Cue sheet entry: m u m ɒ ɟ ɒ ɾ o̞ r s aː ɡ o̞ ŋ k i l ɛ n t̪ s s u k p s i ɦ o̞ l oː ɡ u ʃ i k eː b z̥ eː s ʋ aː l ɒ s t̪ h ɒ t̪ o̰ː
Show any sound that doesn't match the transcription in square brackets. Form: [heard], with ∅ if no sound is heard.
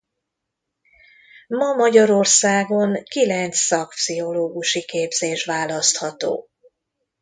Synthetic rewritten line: m [ɒ] m ɒ ɟ ɒ ɾ o̞ r s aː ɡ o̞ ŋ k i l ɛ n t̪ s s [ɒ] k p s i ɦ o̞ l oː ɡ u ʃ i k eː b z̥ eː [ʃ] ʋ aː l ɒ s t̪ h ɒ t̪ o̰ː